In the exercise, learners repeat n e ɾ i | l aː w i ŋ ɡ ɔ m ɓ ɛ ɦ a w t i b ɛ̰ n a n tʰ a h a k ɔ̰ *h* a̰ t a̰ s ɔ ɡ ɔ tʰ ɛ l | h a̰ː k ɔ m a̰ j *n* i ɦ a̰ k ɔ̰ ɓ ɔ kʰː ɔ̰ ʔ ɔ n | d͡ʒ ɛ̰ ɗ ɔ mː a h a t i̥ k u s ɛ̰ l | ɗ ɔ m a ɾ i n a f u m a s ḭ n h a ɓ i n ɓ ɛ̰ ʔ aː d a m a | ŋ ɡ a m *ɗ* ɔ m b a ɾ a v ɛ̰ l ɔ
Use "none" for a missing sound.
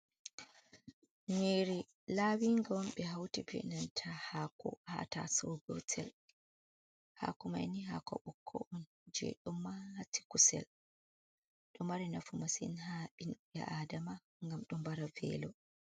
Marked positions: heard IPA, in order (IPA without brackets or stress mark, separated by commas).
h, n, ɗ